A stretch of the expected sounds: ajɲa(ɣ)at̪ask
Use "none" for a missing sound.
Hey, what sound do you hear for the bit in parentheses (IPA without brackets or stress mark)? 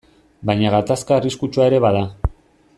ɣ